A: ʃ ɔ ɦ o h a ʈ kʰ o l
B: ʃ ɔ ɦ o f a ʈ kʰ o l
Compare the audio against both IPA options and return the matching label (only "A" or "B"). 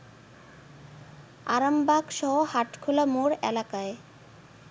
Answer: A